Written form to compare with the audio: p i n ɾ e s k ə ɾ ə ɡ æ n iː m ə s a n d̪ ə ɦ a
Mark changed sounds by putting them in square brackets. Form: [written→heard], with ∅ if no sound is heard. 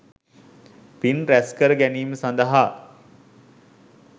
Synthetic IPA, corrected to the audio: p i n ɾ [e→æ] s k ə ɾ ə ɡ æ n iː m ə s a n d̪ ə ɦ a